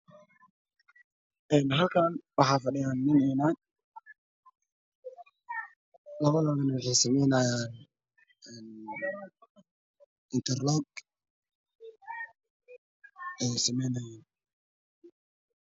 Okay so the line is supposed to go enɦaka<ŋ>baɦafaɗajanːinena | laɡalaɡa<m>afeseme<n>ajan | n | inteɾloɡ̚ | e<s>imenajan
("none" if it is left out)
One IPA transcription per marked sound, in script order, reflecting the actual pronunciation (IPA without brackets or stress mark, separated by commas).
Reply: n, n, n, s